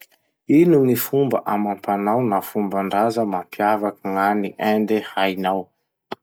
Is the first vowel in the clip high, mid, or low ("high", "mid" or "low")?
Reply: high